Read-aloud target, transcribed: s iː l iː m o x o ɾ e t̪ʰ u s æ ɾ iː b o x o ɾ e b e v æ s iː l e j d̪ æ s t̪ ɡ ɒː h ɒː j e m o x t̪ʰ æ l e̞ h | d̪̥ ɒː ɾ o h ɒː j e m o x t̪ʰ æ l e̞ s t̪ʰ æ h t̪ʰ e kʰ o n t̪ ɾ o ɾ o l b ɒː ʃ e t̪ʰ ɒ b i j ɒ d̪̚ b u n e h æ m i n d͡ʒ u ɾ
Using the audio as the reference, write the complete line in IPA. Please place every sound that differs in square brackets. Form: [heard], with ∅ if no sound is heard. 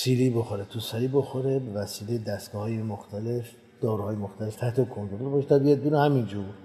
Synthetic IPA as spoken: s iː l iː [b] o x o ɾ e t̪ʰ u s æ ɾ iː b o x o ɾ e b e v æ s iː l e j d̪ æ s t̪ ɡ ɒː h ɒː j e m o x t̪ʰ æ l e̞ [f] | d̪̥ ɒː ɾ [u] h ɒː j e m o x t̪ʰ æ l e̞ [f] t̪ʰ æ h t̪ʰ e kʰ o n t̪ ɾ o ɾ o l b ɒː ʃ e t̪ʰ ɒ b i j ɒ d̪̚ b u n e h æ m i n d͡ʒ u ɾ